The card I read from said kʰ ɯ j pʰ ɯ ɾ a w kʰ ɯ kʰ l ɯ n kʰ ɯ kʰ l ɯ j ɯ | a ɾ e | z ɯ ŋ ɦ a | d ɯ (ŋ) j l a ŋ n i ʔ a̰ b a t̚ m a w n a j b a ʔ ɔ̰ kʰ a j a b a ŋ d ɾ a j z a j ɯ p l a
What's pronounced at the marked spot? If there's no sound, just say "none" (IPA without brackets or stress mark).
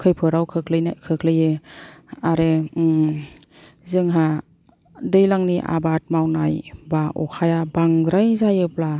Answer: none